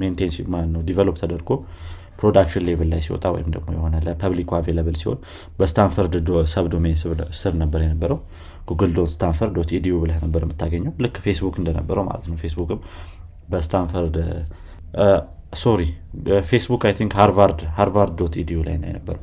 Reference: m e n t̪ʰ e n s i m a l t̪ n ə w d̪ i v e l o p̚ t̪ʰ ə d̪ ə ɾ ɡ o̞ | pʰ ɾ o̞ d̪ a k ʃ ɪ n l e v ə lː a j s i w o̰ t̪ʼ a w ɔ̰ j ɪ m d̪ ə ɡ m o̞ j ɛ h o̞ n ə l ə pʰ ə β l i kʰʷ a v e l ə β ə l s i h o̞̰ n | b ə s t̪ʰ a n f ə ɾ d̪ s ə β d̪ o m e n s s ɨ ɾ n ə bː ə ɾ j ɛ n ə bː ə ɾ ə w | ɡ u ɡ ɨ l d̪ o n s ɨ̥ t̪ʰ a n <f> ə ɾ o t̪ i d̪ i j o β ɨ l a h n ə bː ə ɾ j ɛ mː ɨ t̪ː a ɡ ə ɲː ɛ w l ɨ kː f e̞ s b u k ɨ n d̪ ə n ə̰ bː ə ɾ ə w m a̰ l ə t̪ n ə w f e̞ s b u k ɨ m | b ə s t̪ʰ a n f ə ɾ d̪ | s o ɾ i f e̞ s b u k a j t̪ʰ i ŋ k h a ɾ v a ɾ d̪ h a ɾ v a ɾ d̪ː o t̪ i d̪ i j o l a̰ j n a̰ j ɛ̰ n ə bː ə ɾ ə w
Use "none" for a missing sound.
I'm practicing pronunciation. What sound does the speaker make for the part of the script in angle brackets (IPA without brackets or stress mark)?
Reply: f